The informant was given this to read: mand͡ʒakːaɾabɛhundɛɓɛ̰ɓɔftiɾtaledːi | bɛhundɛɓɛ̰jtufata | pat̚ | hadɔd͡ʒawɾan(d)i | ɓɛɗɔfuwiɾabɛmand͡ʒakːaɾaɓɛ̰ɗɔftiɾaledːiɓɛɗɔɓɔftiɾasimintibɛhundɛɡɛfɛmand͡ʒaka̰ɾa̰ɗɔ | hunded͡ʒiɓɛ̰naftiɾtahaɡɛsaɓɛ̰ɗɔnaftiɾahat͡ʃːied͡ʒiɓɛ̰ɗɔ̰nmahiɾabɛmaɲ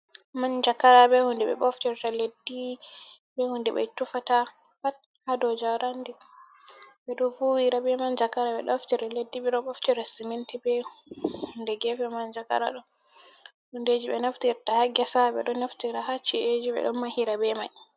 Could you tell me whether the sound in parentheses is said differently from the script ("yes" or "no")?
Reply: no